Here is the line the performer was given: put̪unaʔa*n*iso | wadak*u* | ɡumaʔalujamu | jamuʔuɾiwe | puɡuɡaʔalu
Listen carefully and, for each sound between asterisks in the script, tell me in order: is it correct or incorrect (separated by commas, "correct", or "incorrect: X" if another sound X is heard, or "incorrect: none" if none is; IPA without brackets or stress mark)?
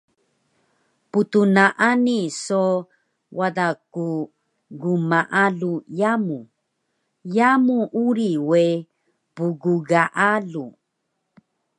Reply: correct, correct